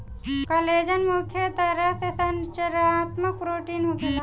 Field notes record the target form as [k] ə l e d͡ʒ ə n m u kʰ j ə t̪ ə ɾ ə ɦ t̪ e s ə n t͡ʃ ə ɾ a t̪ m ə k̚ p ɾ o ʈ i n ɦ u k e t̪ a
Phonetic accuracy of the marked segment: correct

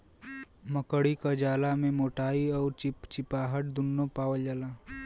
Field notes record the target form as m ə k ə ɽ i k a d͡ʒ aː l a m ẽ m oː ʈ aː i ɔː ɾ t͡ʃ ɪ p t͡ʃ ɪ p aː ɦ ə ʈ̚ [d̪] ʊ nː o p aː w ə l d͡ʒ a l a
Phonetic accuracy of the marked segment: correct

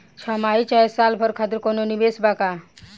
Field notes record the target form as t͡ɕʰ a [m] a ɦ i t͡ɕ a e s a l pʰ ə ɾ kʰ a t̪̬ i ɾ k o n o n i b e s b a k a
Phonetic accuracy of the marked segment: correct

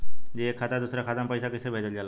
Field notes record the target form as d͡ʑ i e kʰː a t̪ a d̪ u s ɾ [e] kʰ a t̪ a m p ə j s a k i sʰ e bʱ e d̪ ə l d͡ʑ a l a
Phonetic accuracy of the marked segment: incorrect: a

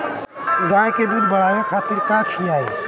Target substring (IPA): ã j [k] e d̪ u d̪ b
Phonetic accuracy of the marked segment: correct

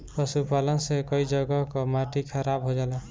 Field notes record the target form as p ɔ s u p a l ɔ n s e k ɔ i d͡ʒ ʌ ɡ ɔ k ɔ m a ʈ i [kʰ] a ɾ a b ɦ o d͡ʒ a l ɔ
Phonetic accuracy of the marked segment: correct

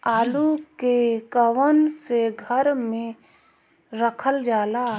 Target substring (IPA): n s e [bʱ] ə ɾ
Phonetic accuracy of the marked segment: incorrect: ɡʱ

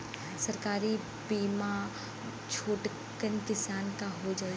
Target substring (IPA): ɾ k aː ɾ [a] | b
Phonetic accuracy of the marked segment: incorrect: i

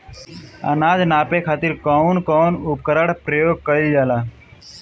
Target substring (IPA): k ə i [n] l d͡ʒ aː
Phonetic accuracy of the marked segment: incorrect: none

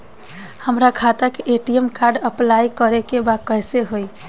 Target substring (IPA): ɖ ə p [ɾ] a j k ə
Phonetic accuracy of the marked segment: incorrect: l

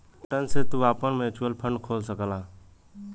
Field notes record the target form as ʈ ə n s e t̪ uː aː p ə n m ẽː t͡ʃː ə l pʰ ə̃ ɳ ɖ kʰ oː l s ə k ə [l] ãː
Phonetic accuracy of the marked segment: correct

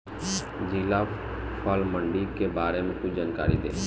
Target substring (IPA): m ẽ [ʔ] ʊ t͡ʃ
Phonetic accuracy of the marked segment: incorrect: k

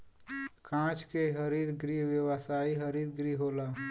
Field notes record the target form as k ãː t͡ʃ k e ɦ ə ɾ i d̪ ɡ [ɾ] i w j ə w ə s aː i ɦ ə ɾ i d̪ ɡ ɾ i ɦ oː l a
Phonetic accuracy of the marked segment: correct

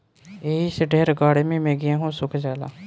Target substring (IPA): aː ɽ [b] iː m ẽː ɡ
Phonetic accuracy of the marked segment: incorrect: m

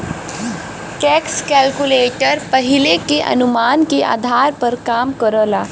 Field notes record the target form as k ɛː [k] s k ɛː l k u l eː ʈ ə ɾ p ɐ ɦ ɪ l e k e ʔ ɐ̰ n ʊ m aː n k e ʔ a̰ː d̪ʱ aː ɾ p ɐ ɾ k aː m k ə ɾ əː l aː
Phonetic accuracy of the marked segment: correct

